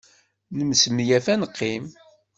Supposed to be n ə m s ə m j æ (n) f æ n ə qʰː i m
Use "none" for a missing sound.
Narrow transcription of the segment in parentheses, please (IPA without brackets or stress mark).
none